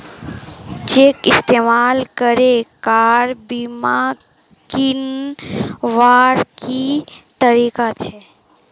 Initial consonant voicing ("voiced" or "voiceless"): voiceless